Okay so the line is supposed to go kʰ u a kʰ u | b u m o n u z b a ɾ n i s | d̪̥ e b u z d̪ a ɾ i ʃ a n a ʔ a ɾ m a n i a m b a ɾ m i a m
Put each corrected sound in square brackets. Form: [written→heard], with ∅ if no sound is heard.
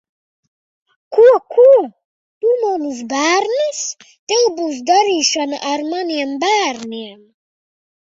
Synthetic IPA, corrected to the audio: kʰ u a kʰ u | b u m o n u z b a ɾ n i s | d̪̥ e b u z d̪ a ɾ i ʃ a n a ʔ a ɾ m a n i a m b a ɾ [m→n] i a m